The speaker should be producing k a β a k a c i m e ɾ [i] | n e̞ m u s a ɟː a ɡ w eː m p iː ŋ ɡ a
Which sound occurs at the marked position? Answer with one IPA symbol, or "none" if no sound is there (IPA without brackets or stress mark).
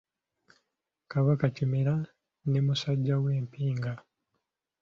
a